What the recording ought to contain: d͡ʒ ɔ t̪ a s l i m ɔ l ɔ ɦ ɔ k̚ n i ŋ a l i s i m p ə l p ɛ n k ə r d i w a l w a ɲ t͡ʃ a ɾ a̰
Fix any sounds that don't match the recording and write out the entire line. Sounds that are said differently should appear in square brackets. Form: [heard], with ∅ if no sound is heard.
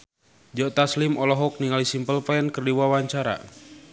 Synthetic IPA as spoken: d͡ʒ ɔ t̪ a s l i m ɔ l ɔ ɦ ɔ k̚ n i ŋ a l i s i m p ə l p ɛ n k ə r d i w a [∅] w a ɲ t͡ʃ a ɾ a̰